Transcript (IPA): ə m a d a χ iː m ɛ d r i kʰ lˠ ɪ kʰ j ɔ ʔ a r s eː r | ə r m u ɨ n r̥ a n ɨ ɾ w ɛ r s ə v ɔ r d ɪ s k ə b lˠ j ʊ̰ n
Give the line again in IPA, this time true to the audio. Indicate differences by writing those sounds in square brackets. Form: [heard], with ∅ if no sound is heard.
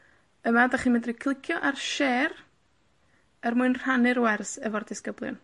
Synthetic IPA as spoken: ə m a d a χ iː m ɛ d r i kʰ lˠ ɪ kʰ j ɔ ʔ a r [ʃ] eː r | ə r m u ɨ n r̥ a n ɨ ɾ w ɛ r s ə v ɔ r d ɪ s k ə b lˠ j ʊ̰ n